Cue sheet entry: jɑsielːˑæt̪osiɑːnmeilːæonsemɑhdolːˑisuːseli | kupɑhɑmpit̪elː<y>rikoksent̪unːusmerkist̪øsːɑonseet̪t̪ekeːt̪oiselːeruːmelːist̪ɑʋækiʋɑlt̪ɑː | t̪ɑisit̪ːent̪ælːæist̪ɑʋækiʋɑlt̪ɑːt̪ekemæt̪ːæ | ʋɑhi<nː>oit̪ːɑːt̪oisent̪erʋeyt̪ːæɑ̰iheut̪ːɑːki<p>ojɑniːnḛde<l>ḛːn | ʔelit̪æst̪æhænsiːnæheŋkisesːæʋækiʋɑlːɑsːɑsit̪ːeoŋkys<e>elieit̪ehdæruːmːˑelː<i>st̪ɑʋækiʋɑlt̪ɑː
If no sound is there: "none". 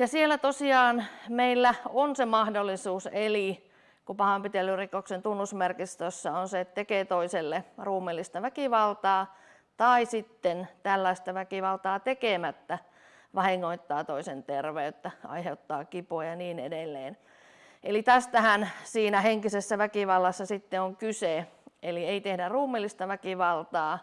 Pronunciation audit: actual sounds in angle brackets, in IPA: y, ŋː, p, lː, e, i

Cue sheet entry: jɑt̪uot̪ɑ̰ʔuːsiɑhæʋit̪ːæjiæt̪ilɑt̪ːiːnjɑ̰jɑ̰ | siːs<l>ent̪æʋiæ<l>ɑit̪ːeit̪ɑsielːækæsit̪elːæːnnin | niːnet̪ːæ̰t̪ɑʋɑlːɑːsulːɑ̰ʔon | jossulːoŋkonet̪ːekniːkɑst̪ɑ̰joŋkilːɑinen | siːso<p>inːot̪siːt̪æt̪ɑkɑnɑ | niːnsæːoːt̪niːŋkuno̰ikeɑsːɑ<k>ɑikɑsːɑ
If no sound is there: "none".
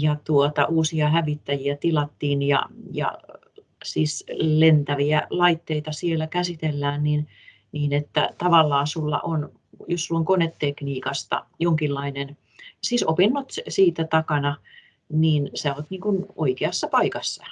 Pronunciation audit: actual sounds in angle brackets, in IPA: l, l, p, p

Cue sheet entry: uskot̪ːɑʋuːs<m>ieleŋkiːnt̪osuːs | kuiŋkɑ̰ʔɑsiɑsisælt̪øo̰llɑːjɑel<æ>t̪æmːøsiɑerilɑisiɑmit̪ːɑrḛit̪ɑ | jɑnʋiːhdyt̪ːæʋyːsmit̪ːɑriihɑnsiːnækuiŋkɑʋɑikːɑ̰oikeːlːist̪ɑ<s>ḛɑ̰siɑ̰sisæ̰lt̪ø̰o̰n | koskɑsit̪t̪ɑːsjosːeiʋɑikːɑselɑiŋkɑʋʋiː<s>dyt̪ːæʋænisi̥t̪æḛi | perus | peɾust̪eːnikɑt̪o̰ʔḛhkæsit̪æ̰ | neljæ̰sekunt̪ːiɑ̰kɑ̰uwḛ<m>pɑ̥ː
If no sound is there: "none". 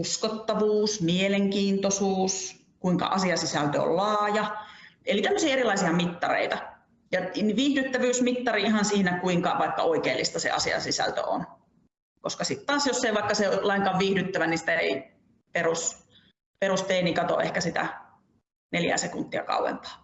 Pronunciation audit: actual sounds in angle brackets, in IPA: m, i, s, h, m

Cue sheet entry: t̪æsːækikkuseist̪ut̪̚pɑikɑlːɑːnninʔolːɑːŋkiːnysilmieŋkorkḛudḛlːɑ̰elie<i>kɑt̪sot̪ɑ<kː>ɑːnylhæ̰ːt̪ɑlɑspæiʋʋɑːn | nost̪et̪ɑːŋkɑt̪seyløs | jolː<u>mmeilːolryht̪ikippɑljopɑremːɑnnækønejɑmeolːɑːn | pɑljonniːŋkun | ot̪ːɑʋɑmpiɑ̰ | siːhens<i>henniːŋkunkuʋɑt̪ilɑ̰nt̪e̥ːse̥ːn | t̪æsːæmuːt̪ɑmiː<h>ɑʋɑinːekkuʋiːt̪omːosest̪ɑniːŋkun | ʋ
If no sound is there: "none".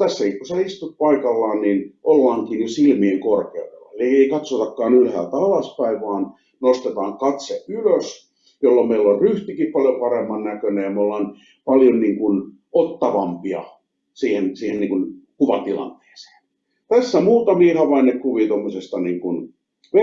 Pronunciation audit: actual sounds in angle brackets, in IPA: i, kː, o, iː, h

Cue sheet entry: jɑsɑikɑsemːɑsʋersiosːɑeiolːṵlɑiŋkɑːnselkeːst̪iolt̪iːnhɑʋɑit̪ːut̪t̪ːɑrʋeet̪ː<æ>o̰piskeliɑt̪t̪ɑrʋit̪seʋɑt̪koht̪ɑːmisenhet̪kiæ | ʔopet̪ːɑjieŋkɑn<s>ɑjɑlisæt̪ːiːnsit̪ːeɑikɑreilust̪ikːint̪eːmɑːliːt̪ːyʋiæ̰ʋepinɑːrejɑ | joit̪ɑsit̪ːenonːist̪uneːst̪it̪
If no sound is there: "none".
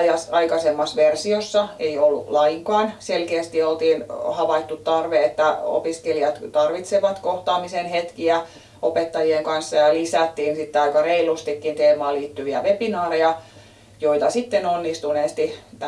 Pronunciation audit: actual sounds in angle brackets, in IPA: æ, sː

